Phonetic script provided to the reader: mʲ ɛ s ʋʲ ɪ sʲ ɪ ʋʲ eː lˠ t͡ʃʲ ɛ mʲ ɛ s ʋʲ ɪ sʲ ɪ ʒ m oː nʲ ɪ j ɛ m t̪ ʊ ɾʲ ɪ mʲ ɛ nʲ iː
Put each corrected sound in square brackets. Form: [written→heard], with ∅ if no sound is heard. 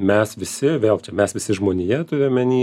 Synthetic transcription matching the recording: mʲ ɛ s ʋʲ ɪ sʲ ɪ ʋʲ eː lˠ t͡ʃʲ ɛ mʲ ɛ s ʋʲ ɪ sʲ ɪ ʒ m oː nʲ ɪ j ɛ [m→∅] t̪ ʊ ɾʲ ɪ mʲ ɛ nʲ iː